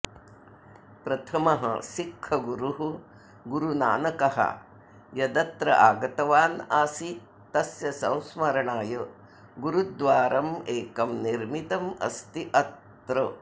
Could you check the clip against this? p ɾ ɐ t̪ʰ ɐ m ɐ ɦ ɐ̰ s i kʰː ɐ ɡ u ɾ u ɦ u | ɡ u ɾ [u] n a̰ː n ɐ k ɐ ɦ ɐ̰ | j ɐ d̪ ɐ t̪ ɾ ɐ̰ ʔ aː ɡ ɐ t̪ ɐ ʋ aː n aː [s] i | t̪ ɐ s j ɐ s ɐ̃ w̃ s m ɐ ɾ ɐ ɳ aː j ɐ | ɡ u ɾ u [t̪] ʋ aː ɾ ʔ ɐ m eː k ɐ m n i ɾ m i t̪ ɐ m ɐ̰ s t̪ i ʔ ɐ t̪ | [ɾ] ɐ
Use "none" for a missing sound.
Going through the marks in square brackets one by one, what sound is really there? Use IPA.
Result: u, s, d̪, ɾ

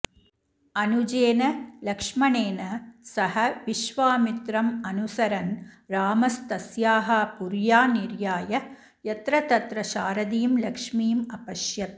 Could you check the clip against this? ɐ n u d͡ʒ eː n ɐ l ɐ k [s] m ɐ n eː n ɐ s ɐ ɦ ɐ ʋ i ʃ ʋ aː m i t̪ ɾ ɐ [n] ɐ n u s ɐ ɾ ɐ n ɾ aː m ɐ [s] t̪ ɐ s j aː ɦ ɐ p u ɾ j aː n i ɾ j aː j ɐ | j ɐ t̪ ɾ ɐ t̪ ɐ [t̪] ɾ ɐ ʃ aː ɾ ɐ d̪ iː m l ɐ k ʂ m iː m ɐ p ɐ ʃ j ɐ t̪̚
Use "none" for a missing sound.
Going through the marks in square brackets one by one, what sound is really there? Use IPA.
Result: ʂ, m, s, t̪

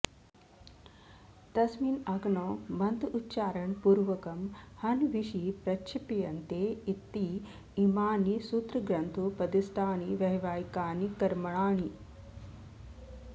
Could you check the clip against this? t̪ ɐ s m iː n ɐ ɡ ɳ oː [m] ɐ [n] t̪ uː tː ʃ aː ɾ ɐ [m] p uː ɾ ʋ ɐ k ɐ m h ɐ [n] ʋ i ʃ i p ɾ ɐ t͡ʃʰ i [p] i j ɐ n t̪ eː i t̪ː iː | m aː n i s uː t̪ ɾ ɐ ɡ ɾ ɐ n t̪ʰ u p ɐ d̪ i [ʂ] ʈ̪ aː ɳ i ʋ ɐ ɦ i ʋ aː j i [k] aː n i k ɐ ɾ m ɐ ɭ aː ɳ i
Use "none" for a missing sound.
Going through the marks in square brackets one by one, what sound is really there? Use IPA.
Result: m, n, ɳ, n, p, s, k

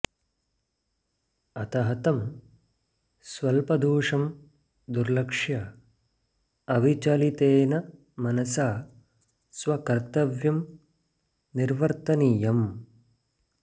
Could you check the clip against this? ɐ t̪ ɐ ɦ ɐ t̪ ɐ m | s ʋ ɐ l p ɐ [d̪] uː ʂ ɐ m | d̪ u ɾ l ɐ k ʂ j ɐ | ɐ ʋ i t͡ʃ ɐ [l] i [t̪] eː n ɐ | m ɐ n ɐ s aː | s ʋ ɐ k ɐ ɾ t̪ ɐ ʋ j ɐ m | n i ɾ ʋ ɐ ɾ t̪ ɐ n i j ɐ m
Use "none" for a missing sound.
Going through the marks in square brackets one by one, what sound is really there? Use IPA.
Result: d̪, l, t̪

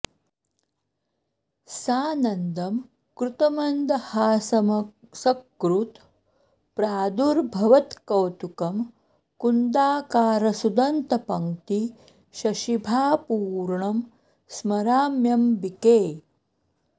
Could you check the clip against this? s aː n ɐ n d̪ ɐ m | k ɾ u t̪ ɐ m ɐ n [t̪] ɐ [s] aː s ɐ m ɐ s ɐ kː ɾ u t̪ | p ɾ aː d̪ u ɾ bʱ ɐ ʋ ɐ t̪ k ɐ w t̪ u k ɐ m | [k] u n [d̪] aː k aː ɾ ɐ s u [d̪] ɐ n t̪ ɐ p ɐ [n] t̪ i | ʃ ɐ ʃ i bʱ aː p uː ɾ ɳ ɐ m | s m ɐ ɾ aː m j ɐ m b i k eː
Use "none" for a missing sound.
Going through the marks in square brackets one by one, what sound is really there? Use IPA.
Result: d̪, h, k, d̪, d̪, ŋ

